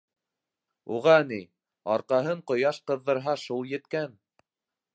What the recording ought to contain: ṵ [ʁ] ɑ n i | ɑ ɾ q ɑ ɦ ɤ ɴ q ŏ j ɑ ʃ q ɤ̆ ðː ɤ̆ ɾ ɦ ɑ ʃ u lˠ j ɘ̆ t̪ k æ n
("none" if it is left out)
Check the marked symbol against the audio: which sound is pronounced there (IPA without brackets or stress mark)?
ʁ